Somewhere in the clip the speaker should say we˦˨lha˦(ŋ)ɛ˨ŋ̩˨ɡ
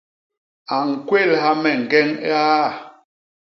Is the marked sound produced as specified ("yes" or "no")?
no